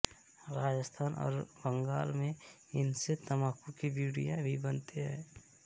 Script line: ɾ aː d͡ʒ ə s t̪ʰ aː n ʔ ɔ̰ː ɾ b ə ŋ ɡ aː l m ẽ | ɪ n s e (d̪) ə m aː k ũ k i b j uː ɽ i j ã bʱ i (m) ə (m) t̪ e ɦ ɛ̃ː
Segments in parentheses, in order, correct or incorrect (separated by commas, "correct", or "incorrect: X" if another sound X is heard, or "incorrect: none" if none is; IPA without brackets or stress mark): incorrect: t̪, incorrect: b, incorrect: n